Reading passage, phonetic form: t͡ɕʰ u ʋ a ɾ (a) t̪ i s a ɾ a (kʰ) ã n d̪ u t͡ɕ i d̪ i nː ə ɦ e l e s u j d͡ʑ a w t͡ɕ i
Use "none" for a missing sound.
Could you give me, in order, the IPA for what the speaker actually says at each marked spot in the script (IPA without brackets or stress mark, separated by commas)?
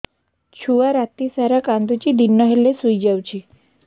a, k